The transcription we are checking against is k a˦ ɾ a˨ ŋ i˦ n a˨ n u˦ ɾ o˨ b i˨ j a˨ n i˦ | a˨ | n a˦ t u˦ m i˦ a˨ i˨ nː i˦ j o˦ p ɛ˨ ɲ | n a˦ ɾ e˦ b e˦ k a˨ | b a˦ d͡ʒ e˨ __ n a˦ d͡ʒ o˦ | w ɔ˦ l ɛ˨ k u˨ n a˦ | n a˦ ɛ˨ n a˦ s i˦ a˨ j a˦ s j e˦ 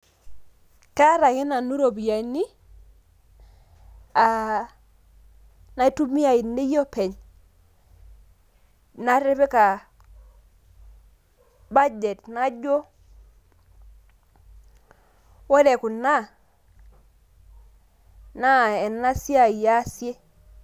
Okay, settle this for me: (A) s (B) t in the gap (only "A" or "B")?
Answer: B